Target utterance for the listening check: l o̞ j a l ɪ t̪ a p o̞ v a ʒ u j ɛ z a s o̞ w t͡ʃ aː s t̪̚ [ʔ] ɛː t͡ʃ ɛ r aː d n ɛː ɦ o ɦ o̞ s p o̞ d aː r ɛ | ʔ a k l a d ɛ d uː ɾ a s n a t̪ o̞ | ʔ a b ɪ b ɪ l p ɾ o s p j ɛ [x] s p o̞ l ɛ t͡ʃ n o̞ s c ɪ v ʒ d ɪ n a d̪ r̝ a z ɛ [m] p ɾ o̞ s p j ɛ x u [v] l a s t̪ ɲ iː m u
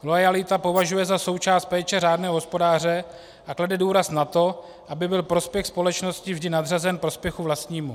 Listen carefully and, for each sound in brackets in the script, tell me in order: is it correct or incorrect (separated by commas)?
incorrect, correct, incorrect, correct